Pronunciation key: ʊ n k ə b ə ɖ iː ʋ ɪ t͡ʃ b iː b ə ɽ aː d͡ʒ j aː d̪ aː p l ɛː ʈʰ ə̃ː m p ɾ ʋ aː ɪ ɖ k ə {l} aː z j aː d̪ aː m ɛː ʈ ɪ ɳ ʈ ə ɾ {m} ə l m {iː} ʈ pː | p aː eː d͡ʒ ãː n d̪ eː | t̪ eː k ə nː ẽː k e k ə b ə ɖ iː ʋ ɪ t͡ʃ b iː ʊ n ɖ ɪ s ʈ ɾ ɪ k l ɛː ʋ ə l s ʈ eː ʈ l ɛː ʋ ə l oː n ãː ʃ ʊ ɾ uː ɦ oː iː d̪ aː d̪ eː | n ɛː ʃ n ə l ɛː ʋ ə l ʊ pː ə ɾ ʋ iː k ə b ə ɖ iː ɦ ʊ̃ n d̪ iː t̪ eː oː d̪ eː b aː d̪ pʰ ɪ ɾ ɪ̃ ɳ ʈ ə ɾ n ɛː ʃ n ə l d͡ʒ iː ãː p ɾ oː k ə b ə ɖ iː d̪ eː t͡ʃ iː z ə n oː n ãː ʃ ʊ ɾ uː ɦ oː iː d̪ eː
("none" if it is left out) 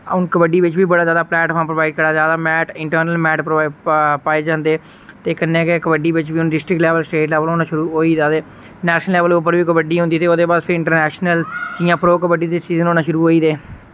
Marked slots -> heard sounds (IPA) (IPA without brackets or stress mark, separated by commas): ɾ, n, ɛː